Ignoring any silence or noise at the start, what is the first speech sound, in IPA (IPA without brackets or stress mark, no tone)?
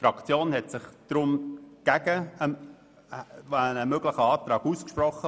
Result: f